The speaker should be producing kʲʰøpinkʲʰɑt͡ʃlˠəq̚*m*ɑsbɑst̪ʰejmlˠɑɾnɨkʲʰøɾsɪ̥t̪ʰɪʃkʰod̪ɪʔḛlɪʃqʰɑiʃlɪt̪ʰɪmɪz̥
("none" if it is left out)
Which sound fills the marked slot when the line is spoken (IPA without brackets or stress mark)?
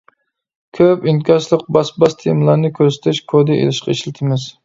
b